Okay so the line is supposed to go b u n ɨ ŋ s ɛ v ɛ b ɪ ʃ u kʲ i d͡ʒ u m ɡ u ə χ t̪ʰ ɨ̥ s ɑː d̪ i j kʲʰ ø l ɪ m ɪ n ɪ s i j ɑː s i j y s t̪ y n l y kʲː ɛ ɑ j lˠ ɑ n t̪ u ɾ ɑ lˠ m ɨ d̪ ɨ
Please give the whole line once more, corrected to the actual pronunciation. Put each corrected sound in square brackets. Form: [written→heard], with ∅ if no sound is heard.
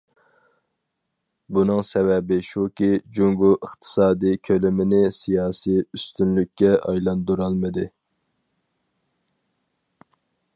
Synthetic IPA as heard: b u n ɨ ŋ s ɛ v ɛ b ɪ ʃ u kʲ i d͡ʒ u [m→ŋ] ɡ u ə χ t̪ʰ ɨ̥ s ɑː d̪ i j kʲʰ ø l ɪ m ɪ n ɪ s i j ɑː s i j y s t̪ y n l y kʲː ɛ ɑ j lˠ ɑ n [t̪→d̪] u ɾ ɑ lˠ m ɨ d̪ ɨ